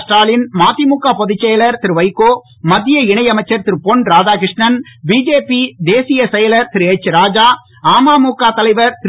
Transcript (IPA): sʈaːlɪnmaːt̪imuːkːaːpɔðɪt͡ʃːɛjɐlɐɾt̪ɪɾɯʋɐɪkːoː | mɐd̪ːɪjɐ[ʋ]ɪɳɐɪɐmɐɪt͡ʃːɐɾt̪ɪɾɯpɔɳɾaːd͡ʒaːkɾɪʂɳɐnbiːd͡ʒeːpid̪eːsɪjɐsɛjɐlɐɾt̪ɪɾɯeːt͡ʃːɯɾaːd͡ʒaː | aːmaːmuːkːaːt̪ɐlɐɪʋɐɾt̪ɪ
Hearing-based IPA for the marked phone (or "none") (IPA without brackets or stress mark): none